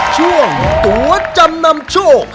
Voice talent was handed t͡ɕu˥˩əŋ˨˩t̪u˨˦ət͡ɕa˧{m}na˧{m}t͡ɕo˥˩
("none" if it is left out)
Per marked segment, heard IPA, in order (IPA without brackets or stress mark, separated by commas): m, m